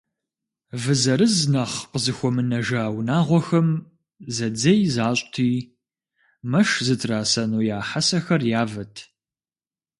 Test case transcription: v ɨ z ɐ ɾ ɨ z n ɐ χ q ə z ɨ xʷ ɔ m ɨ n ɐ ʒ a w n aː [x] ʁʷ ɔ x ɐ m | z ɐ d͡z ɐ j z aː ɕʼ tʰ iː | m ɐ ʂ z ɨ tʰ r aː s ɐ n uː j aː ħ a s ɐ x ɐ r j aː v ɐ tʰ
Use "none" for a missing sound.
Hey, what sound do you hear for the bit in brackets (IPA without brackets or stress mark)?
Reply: none